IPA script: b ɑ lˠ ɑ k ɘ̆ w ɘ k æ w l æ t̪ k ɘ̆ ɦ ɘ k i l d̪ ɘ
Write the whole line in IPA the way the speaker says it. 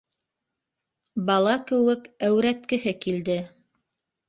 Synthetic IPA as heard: b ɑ lˠ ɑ k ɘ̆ w ɘ k æ w ɾ æ t̪ k ɘ̆ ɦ ɘ k i l d̪ ɘ

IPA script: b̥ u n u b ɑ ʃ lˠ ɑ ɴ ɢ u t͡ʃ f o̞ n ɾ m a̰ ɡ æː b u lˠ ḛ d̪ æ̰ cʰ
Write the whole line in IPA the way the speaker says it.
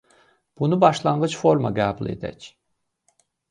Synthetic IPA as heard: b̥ u n u b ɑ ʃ lˠ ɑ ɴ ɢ ɯ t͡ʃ f o̞ ɾ m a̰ ɡ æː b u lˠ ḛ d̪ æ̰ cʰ

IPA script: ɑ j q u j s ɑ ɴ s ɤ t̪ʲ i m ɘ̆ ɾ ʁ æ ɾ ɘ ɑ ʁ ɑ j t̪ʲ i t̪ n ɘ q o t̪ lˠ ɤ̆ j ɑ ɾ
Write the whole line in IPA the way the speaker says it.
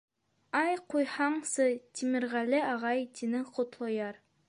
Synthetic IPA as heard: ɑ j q u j h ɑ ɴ s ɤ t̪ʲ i m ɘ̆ ɾ ʁ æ l ɘ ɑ ʁ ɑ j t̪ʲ i n ɘ q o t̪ lˠ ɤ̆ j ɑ ɾ

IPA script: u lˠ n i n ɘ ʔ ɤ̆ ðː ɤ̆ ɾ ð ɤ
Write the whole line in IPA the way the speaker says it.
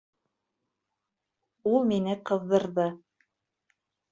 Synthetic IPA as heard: u lˠ m i n ɘ q ɤ̆ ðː ɤ̆ ɾ ð ɤ

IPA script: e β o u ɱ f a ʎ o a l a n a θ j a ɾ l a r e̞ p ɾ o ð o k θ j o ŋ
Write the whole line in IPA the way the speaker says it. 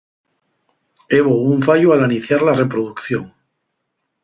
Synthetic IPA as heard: e β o u ɱ f a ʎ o a l a n i θ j a ɾ l a r e̞ p ɾ o ð u k θ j o ŋ

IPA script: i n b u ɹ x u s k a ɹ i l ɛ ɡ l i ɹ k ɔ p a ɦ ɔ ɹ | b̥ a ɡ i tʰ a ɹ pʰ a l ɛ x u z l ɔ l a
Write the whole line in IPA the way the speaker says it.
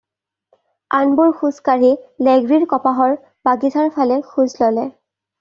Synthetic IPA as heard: a n b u ɹ x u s k a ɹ i l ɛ ɡ ɹ i ɹ k ɔ p a ɦ ɔ ɹ | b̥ a ɡ i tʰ a ɹ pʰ a l ɛ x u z l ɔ l ɛ

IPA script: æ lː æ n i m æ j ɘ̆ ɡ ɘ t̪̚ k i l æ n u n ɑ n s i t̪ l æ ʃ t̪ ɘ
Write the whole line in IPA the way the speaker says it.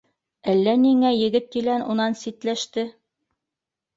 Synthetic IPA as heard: æ lː æ n i ŋ æ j ɘ̆ ɡ ɘ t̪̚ k i l æ n u n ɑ n s i t̪ l æ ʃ t̪ ɘ

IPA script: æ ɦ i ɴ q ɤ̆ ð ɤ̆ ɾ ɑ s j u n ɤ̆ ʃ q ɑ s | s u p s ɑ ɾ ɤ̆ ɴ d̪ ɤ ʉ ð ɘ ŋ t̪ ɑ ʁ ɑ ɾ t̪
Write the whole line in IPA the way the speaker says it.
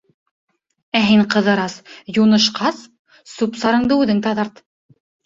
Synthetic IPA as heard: æ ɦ i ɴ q ɤ̆ ð ɤ̆ ɾ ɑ s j u n ɤ̆ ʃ q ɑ s | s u p s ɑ ɾ ɤ̆ ɴ d̪ ɤ ʉ ð ɘ ŋ t̪ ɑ ð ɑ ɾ t̪

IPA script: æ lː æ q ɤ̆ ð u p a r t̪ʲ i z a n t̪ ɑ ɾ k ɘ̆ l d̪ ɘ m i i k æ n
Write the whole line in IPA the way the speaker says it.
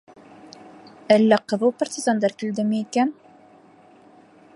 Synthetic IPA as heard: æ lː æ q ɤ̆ ð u p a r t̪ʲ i z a n d̪ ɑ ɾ k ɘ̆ l d̪ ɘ m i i k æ n

